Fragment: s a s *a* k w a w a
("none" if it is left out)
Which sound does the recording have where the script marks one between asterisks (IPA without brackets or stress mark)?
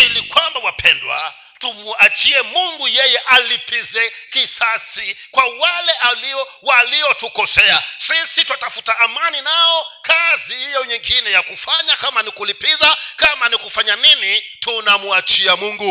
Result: i